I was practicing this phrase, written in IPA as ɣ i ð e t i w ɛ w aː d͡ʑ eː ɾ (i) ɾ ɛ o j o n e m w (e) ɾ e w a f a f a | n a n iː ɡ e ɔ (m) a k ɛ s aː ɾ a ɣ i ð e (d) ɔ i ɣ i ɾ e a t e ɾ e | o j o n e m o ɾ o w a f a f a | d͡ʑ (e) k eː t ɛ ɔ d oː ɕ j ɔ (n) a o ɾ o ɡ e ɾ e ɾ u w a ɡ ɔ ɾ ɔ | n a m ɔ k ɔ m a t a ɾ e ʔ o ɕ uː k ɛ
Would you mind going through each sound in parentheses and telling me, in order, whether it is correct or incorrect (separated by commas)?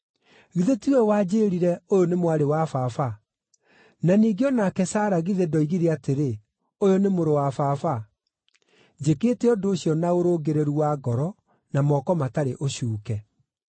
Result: correct, incorrect, incorrect, correct, correct, correct